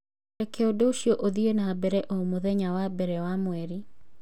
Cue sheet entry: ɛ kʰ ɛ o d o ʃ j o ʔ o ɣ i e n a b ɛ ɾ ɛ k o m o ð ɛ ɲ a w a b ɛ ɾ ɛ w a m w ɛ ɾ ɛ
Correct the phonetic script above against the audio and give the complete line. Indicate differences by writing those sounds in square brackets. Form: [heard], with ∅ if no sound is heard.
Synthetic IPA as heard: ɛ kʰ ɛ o d o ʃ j o ʔ o [ð] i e n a b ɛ ɾ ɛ [ʔ] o m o ð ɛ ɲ a w a b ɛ ɾ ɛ w a m w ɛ ɾ [i]